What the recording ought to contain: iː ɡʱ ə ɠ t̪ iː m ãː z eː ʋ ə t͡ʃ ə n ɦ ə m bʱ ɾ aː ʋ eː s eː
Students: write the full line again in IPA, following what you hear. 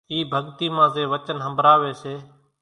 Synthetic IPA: iː bʱ ə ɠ t̪ iː m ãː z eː ʋ ə t͡ʃ ə n ɦ ə m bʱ ɾ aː ʋ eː s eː